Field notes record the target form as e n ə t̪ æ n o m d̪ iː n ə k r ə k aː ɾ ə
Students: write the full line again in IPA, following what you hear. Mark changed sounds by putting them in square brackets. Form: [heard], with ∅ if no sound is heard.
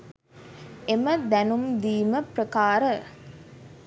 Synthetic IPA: e [m] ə [d̪] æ n [u] m d̪ iː [m] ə [p] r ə k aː ɾ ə